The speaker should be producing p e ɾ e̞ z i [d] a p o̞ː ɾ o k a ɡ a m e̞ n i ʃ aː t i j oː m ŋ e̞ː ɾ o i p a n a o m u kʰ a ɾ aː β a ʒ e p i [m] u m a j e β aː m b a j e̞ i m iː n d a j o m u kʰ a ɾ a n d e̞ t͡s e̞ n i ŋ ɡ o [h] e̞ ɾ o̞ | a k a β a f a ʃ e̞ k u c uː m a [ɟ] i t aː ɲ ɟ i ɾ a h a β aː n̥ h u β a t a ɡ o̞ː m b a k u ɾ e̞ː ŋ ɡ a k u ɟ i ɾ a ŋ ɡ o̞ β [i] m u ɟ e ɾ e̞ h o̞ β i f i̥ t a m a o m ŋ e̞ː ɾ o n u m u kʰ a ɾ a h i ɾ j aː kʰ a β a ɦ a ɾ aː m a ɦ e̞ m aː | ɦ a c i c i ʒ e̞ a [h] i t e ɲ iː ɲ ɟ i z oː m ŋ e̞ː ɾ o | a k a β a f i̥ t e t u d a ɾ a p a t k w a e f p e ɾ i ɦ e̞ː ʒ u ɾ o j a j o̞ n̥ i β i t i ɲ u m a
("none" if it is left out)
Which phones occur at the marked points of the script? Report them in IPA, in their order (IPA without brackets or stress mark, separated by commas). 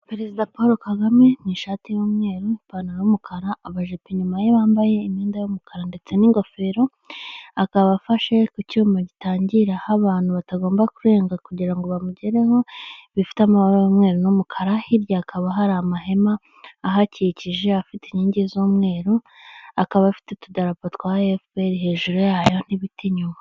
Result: d, ɲ, f, ɟ, a, f